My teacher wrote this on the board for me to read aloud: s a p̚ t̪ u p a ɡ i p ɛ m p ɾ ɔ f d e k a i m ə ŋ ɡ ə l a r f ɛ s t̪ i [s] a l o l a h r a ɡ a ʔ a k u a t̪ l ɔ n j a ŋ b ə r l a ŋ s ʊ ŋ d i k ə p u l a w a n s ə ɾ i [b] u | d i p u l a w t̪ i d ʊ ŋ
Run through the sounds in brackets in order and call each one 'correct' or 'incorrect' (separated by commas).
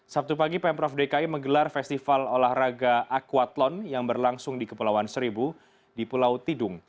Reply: incorrect, correct